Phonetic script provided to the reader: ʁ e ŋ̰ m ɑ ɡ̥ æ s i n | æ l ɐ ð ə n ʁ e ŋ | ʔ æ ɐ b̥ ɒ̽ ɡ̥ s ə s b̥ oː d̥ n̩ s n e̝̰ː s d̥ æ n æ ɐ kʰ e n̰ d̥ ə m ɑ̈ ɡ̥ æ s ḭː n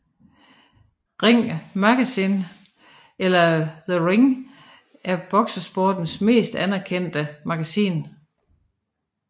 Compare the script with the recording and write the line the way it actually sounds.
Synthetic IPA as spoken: ʁ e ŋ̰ m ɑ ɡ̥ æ s i n | e l ɐ ð ə ʁ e ŋ | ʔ æ ɐ b̥ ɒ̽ ɡ̥ s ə s b̥ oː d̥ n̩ s m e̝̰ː s d̥ æ n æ ɐ kʰ e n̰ d̥ ə m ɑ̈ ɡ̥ æ s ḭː n